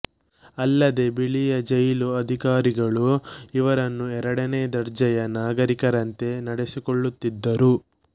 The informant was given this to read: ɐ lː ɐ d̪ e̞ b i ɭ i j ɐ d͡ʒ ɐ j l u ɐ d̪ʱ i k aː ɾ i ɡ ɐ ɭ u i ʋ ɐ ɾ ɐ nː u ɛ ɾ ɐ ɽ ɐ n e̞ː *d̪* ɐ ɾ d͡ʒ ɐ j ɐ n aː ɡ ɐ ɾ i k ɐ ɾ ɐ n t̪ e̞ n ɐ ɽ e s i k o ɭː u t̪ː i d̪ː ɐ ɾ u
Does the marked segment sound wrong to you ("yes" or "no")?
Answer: no